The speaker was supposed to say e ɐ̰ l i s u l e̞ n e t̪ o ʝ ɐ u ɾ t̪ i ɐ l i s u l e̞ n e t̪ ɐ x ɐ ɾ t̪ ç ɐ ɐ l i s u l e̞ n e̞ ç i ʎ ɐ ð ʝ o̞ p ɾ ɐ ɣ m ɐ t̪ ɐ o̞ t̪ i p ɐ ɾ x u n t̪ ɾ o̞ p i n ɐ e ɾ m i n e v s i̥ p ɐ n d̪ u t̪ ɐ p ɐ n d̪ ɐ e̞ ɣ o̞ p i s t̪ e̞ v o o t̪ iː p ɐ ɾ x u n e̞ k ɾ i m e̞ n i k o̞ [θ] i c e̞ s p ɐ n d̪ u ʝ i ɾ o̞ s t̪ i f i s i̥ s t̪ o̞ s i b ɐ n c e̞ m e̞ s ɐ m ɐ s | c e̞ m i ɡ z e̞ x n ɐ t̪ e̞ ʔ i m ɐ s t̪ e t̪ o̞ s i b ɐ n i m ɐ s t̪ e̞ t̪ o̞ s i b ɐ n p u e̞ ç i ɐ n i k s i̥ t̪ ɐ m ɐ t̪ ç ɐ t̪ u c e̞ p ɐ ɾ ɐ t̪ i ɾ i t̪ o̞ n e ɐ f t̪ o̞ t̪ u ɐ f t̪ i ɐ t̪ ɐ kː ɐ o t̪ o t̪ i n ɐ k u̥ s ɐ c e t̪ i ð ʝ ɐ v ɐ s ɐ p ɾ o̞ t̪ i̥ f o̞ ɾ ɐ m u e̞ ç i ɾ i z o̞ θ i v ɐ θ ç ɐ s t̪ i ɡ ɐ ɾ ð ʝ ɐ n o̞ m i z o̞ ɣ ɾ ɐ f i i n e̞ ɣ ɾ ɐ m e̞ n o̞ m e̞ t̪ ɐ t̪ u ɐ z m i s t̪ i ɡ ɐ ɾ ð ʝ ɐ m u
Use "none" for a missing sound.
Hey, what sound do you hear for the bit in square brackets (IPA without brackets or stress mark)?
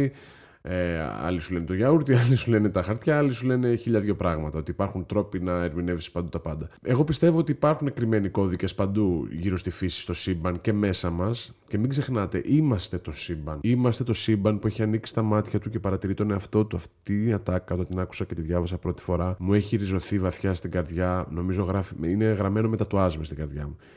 ð